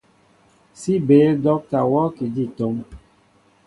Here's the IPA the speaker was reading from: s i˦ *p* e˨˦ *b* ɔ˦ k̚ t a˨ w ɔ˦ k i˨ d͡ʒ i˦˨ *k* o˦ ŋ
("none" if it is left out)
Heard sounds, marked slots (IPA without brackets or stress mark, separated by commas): b, d, t